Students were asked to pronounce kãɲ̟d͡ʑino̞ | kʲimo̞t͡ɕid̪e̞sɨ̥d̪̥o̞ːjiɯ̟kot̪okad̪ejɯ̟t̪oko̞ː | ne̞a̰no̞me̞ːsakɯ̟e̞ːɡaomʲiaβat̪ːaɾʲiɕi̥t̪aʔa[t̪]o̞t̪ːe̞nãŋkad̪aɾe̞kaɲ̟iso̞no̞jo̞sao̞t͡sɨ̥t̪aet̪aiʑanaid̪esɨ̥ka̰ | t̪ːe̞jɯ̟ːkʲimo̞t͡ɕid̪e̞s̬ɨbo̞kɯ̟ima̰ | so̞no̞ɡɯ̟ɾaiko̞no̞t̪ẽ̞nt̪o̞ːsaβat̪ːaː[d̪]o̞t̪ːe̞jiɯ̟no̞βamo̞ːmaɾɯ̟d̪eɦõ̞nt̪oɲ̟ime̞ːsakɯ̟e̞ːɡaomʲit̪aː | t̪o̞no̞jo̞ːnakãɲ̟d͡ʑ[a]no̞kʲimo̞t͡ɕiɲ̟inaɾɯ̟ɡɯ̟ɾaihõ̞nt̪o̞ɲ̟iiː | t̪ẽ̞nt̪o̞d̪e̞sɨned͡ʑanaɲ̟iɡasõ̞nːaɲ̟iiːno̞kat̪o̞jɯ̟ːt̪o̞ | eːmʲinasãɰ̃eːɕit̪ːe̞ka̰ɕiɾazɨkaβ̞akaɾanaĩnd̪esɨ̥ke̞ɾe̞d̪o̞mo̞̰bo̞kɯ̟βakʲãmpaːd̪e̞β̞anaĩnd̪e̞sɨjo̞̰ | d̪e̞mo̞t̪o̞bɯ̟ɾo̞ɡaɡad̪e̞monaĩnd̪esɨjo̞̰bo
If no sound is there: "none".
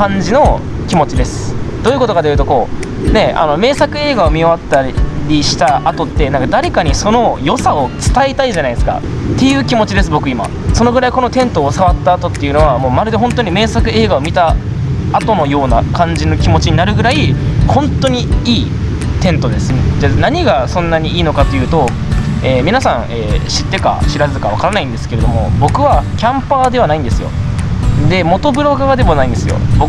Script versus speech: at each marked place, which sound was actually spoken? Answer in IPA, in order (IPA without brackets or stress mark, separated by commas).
t̪, t̪, i